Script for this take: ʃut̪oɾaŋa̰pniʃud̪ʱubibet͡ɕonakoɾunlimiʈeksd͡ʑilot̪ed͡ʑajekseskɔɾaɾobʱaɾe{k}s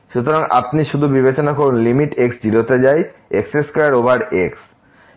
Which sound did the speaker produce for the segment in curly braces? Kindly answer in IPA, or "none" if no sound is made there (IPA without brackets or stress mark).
k